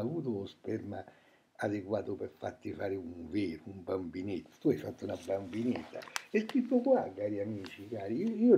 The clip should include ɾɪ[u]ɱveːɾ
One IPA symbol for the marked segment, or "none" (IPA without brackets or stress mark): u